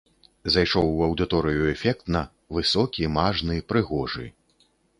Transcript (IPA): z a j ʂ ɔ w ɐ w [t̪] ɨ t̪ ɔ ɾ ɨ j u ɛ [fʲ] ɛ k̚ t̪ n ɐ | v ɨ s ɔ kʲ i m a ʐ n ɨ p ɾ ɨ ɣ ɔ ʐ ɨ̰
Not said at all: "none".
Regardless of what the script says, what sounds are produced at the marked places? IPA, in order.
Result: d̪, fʲ

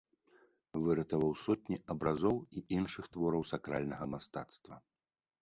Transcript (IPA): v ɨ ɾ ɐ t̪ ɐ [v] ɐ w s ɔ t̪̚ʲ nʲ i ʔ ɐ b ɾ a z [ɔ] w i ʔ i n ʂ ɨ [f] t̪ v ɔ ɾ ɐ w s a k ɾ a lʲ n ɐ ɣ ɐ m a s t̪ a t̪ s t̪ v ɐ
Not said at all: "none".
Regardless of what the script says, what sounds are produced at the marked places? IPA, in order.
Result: v, ɔ, x

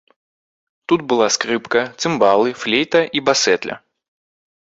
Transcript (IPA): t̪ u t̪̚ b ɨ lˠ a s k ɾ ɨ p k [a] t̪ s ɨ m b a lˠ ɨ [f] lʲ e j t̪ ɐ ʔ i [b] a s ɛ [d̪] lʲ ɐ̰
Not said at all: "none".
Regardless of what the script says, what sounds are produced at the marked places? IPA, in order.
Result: ɐ, f, b, t̪

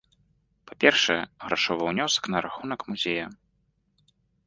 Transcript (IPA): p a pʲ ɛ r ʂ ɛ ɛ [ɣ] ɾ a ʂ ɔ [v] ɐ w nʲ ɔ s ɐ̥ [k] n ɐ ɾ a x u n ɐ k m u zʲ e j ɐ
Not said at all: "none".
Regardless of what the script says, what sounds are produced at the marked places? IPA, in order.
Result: ɣ, v, k

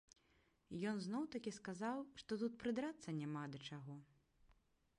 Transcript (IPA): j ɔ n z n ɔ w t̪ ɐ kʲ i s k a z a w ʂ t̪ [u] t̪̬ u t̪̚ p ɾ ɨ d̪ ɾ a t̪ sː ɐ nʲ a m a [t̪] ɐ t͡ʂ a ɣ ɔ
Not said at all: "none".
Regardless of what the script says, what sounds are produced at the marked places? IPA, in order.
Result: ɔ, d̪

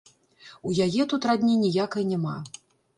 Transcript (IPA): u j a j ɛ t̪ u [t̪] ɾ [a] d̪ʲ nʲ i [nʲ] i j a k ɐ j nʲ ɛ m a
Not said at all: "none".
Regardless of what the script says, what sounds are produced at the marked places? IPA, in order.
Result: t̪, a, nʲ

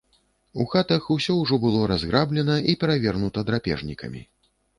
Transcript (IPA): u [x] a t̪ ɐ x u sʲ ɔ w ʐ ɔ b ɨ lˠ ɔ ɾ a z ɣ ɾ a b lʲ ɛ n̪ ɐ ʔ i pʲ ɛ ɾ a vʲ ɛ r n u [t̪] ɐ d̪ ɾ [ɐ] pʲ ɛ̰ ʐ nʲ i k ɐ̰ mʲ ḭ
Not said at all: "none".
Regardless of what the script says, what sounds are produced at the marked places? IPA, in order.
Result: x, t̪, a

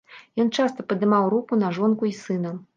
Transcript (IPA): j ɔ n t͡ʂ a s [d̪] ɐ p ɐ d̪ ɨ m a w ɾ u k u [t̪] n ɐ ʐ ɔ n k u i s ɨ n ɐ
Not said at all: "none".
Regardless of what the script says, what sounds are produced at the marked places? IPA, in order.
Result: t̪, none

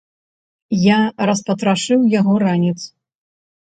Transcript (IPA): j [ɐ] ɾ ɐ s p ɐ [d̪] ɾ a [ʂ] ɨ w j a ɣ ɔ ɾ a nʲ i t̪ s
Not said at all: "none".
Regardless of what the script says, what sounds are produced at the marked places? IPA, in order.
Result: a, t̪, ʂ

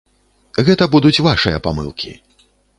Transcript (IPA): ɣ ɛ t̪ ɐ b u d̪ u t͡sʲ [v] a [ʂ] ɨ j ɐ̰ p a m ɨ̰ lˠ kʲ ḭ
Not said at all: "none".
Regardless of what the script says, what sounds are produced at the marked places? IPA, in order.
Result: v, ʂ

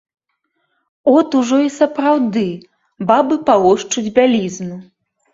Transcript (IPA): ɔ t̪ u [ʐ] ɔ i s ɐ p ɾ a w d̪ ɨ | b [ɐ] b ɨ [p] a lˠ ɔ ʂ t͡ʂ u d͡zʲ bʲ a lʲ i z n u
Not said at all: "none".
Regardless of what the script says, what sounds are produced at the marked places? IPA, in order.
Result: ʐ, a, p

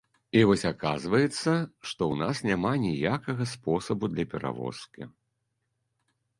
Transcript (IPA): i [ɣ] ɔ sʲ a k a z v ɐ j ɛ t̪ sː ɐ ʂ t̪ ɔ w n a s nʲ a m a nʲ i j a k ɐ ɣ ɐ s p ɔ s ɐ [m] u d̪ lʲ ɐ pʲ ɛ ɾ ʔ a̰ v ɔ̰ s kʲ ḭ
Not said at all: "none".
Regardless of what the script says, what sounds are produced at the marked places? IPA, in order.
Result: v, b

